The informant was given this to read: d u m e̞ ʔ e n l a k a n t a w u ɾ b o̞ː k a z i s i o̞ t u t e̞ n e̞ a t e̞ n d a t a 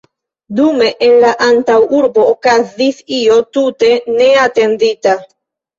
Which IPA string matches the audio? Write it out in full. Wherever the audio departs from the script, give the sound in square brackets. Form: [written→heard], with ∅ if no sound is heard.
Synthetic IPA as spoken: d u m e̞ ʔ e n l a [k→ʔ] a n t a w u ɾ b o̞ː k a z i s i o̞ t u t e̞ n e̞ a t e̞ n d [a→i] t a